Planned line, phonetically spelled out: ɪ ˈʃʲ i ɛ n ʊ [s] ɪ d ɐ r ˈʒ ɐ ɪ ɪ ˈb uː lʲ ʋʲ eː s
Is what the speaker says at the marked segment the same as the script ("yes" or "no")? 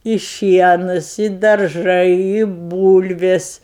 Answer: yes